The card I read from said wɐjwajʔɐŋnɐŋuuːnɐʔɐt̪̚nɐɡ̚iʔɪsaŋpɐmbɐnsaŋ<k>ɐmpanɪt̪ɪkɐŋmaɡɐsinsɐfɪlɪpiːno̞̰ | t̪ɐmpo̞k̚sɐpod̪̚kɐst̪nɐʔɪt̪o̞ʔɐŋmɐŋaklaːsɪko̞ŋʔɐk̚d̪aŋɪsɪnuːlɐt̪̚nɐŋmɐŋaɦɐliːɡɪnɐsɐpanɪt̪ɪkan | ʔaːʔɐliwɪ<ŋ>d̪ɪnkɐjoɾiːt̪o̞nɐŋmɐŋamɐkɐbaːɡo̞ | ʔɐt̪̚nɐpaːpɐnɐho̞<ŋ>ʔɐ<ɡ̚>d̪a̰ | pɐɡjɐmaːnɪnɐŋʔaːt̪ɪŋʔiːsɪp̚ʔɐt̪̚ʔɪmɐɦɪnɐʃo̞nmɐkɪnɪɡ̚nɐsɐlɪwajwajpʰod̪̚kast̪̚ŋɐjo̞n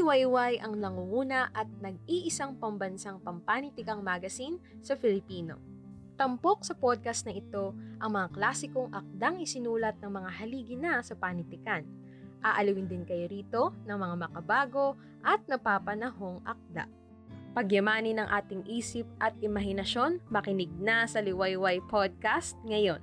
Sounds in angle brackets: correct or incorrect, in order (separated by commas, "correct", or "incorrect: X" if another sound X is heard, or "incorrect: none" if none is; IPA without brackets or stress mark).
incorrect: p, incorrect: n, correct, incorrect: k̚